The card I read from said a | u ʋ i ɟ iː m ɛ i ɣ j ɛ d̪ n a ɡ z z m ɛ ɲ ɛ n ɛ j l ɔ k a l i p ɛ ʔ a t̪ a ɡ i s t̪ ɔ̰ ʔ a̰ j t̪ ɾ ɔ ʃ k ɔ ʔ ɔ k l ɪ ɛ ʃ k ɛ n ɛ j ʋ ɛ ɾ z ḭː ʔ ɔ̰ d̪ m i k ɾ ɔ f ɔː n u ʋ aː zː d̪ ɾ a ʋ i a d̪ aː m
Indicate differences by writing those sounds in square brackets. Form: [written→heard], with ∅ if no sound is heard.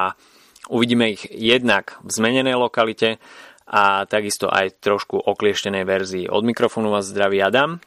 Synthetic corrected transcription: a | u ʋ i ɟ iː m ɛ i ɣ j ɛ d̪ n a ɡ [z→v] z m ɛ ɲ ɛ n ɛ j l ɔ k a l i [p→c] ɛ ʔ a t̪ a ɡ i s t̪ ɔ̰ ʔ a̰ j t̪ ɾ ɔ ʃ k [ɔ→u] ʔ ɔ k l ɪ ɛ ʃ [k→c] ɛ n ɛ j ʋ ɛ ɾ z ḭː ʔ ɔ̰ d̪ m i k ɾ ɔ f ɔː n u ʋ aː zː d̪ ɾ a ʋ i a d̪ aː m